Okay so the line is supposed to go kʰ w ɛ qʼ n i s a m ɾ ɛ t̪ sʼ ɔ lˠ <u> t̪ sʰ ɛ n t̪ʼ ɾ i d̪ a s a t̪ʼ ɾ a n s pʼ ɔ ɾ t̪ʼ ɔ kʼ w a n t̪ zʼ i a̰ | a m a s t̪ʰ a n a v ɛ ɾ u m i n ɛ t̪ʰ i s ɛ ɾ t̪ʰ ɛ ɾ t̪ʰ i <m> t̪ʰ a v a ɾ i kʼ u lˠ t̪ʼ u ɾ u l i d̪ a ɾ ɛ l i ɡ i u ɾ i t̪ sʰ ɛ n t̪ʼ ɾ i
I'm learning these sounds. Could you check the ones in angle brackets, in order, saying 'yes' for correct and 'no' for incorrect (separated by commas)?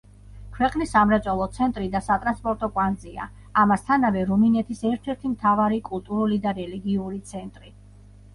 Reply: no, yes